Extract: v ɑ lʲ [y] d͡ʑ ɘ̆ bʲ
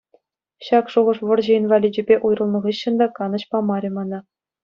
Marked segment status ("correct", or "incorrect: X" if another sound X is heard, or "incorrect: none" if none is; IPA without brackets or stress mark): incorrect: i